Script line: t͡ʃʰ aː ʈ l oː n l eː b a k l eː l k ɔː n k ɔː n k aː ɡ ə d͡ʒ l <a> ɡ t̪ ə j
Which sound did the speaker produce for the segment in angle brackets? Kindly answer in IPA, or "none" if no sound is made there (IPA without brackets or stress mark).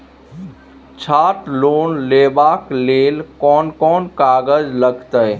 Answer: ə